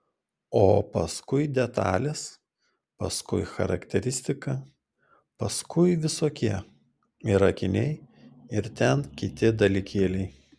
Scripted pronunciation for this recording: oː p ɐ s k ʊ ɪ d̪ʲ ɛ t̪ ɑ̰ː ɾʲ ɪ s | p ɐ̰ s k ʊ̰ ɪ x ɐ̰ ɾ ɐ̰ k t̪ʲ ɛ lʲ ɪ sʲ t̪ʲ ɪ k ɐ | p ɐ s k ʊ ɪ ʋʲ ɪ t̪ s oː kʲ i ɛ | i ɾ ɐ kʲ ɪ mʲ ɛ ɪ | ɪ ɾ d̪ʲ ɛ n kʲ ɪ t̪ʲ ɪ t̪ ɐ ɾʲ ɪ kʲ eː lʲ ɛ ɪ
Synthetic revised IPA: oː p ɐ s k ʊ ɪ d̪ʲ ɛ t̪ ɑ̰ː lʲ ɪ s | p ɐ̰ s k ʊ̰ ɪ x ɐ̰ ɾ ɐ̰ k t̪ʲ ɛ ɾʲ ɪ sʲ t̪ʲ ɪ k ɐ | p ɐ s k ʊ ɪ ʋʲ ɪ s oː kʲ i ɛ | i ɾ ɐ kʲ ɪ nʲ ɛ ɪ | ɪ ɾ t̪ʲ ɛ n kʲ ɪ t̪ʲ ɪ d̪ ɐ lʲ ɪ kʲ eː lʲ ɛ ɪ